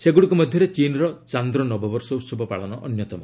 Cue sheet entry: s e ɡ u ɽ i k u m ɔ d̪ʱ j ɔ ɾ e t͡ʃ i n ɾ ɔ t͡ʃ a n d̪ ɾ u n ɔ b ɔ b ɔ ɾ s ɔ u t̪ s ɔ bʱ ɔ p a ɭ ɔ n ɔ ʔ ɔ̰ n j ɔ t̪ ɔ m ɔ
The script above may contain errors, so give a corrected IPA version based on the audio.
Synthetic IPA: s e ɡ u ɽ i k u m ɔ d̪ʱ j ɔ ɾ e t͡ʃ i n ɾ ɔ t͡ʃ a n d̪ ɾ ɔ n ɔ b ɔ b ɔ ɾ s ɔ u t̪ s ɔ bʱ ɔ p a ɭ ɔ n ɔ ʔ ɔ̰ n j ɔ t̪ ɔ m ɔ